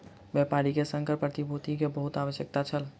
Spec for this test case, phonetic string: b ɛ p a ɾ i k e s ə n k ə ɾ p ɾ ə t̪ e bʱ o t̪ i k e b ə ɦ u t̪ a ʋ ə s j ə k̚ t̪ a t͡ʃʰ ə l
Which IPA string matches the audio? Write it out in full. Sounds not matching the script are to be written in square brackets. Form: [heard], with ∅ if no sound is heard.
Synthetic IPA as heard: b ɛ p a ɾ i k e s ə [ŋ] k ə ɾ p ɾ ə t̪ [i] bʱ o t̪ i k e b ə ɦ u t̪ a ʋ ə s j ə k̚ t̪ a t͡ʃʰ ə l